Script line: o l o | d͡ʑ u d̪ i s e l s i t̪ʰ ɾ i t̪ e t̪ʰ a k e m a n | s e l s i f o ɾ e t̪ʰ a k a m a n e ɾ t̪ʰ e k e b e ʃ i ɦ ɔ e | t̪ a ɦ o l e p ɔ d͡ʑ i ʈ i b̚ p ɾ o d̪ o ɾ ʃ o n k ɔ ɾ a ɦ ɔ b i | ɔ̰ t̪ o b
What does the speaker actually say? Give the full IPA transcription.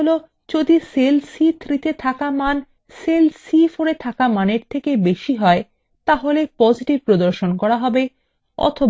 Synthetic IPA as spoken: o l o | d͡ʑ o d̪ i s e l s i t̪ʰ ɾ i t̪ e t̪ʰ a k a m a n | s e l s i f o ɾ e t̪ʰ a k a m a n e ɾ t̪ʰ e k e b e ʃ i ɦ ɔ e | t̪ a ɦ o l e p ɔ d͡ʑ i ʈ i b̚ p ɾ o d̪ o ɾ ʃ o n k ɔ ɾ a ɦ ɔ b e | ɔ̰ t̪ʰ o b